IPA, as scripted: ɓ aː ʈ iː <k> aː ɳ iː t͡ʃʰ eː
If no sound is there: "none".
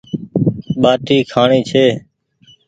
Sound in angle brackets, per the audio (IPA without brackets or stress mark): kʰ